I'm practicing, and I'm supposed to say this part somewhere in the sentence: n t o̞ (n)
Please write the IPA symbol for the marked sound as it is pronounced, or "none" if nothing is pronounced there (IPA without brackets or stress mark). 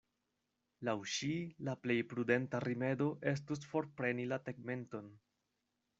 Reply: n